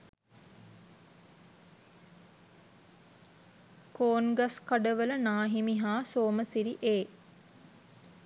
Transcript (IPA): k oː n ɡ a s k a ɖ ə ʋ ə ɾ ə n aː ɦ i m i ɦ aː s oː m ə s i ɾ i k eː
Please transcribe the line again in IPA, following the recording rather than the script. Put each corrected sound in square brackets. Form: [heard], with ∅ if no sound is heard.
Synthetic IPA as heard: k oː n ɡ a s k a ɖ ə ʋ ə [l] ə n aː ɦ i m i ɦ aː s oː m ə s i ɾ i [ʔ] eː

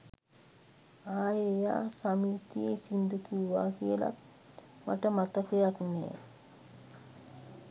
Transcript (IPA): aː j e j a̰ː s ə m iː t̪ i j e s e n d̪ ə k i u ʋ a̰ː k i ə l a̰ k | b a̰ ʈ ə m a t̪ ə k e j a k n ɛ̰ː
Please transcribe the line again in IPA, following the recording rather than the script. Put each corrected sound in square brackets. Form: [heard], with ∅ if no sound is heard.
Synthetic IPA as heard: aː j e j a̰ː s [a] m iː t̪ i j e s [i] n d̪ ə k i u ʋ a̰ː k i ə l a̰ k | [m] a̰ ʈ ə m a t̪ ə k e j a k n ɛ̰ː

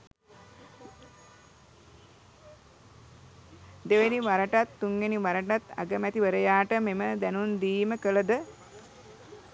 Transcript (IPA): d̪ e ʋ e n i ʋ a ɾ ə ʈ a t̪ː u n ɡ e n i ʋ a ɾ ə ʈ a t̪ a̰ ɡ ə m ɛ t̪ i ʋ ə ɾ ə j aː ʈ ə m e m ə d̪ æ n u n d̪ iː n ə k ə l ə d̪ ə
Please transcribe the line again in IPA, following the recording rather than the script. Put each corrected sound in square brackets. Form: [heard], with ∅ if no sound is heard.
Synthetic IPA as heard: d̪ e ʋ e n i ʋ a ɾ ə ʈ a t̪ː u [ŋ] ɡ e n i ʋ a ɾ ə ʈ a t̪ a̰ ɡ ə m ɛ t̪ i ʋ ə ɾ ə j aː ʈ ə m e m ə d̪ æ n u n d̪ iː [m] ə k ə l ə d̪ ə

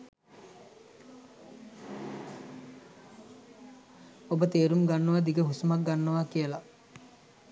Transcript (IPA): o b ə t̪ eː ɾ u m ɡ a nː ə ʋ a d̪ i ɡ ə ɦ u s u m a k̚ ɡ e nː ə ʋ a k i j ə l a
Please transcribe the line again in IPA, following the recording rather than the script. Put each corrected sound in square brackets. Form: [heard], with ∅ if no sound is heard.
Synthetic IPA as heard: o b ə t̪ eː ɾ u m ɡ a nː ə ʋ a d̪ i ɡ ə ɦ u s u m a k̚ ɡ [a] nː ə ʋ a k i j ə l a

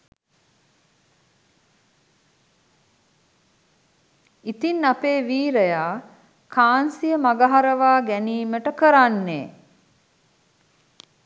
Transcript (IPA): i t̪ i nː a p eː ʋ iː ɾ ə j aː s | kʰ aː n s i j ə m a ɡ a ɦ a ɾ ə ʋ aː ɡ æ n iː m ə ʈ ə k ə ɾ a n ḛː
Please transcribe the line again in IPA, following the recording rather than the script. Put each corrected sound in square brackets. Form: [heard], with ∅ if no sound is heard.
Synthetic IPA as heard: i t̪ i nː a p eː ʋ iː ɾ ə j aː [∅] | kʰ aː n s i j ə m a ɡ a ɦ a ɾ ə ʋ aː ɡ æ n iː m ə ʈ ə k ə ɾ a [nː] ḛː

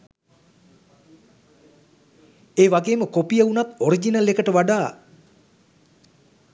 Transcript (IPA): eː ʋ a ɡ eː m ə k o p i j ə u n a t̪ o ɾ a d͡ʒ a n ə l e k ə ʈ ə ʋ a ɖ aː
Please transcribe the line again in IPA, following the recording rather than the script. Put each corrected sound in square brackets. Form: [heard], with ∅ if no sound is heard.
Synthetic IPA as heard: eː ʋ a ɡ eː m ə k o p i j ə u n a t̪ o ɾ [i] d͡ʒ [i] n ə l e k ə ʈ ə ʋ a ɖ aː

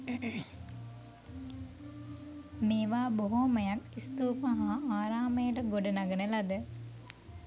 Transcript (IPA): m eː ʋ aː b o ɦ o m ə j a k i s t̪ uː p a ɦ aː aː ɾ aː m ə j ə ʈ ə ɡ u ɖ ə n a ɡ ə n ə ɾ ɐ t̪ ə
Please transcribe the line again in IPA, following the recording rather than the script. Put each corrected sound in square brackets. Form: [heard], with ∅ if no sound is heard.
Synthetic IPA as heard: m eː ʋ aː b o ɦ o m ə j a k i s t̪ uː p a ɦ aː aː ɾ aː m ə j ə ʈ ə ɡ [o] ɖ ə n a ɡ ə n ə [l] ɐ [d̪] ə

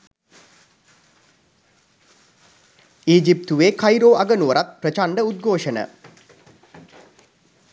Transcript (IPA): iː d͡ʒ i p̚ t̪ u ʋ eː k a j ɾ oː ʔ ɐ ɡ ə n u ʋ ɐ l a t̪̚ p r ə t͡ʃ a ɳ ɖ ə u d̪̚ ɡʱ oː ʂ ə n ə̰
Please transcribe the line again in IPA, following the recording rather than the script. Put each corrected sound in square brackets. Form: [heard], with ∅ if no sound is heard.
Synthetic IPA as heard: iː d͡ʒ i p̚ t̪ u ʋ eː k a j ɾ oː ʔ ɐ ɡ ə n u ʋ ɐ [ɾ] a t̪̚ p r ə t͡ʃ a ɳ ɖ ə u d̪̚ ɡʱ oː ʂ ə n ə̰

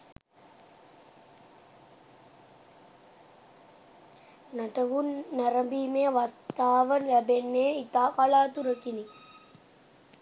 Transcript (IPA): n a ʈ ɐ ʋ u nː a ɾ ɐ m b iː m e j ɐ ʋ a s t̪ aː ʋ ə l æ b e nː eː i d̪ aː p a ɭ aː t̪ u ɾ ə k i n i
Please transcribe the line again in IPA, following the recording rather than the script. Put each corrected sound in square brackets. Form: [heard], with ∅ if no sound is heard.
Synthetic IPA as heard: n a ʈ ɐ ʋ u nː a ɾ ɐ m b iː m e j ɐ ʋ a s t̪ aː ʋ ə l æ b e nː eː i [t̪] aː [k] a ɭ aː t̪ u ɾ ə k i n i

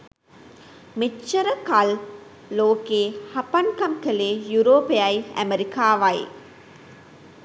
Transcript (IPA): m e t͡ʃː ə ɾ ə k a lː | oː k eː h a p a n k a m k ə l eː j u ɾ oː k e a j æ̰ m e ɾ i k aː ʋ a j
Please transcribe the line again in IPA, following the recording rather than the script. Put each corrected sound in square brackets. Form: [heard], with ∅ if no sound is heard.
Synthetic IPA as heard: m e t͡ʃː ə ɾ ə k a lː | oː k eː h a p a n k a m k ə l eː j u ɾ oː [p] e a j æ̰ m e ɾ i k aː ʋ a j

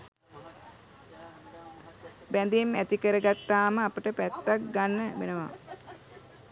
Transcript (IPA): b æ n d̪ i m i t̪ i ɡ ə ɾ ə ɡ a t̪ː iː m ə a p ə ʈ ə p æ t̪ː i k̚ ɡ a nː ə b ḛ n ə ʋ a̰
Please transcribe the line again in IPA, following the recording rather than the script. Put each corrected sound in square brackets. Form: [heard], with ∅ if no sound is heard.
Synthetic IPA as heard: b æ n d̪ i m [æ] t̪ i [k] ə ɾ ə ɡ a t̪ː [aː] m ə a p ə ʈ ə p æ t̪ː [a] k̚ ɡ a nː ə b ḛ n ə ʋ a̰

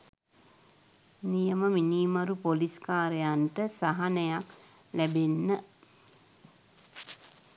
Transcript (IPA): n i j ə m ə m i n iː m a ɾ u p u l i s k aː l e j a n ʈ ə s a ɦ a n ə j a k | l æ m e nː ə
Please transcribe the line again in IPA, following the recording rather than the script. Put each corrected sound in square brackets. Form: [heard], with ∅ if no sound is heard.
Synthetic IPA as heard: n i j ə m ə m i n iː m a ɾ u p [o] l i s k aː [ɾ] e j a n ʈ ə s a ɦ a n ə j a k | l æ [b] e nː ə

